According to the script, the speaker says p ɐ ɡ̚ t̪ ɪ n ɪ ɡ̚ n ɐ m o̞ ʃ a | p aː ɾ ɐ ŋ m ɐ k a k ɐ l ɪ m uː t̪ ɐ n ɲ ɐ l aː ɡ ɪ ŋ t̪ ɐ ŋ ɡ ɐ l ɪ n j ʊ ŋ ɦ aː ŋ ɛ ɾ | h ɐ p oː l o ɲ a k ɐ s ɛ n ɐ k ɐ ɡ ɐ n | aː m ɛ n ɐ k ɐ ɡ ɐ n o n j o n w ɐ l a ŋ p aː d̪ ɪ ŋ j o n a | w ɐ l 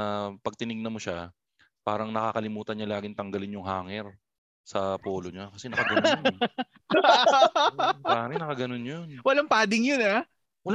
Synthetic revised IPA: p ɐ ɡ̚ t̪ ɪ n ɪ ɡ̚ n ɐ m o̞ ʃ a | p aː ɾ ɐ ŋ n ɐ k a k ɐ l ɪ m uː t̪ ɐ n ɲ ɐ l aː ɡ ɪ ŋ t̪ ɐ ŋ ɡ ɐ l ɪ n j ʊ ŋ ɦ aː ŋ ɛ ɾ | s ɐ p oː l o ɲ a k ɐ s ɛ n ɐ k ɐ ɡ ɐ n | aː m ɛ n ɐ k ɐ ɡ ɐ n o n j o n w ɐ l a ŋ p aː d̪ ɪ ŋ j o n a | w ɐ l